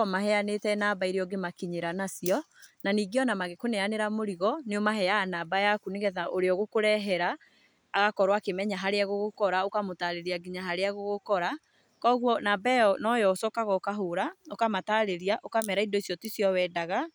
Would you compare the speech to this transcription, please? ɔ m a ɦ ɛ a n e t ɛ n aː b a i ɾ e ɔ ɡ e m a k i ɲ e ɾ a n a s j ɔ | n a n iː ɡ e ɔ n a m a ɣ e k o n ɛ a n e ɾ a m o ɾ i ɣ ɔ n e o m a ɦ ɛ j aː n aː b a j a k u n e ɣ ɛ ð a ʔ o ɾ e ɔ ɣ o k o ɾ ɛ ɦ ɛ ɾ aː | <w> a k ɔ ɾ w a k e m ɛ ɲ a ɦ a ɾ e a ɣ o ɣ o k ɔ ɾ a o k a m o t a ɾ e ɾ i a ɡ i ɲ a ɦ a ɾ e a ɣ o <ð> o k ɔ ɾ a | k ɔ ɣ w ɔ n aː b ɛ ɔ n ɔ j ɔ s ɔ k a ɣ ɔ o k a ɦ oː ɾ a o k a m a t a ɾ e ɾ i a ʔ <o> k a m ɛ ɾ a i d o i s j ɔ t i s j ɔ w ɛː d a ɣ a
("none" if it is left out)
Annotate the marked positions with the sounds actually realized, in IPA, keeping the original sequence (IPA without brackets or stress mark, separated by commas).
ɣ, ɣ, o